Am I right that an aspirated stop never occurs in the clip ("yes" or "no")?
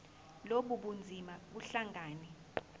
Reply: yes